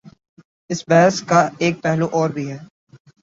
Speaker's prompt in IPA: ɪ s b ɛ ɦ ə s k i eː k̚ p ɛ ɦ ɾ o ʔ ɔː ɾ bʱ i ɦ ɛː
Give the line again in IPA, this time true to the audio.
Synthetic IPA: ɪ s b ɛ ɦ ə s k a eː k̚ p ɛ ɦ l o ʔ ɔː ɾ bʱ i ɦ ɛː